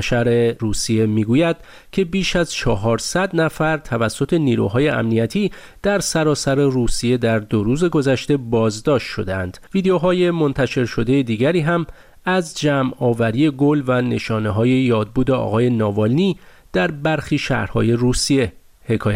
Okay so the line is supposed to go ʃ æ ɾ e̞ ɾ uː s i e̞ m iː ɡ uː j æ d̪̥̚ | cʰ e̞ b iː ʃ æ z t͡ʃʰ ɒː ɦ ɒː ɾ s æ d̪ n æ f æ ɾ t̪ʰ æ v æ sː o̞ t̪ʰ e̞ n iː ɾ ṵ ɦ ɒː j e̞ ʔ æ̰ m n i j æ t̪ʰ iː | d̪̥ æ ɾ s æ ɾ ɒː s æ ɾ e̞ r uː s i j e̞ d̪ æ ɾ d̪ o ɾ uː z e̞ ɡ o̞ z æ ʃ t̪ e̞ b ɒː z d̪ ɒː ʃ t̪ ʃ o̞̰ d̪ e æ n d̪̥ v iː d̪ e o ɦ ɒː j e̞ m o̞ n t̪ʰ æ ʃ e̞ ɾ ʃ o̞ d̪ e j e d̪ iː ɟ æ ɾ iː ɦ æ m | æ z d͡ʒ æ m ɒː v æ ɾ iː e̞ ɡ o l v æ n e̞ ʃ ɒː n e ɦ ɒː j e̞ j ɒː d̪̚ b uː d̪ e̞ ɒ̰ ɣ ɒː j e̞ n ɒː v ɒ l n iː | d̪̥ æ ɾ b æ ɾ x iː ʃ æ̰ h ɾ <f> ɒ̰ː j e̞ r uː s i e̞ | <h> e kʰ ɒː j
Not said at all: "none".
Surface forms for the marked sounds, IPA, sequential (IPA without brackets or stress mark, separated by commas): h, h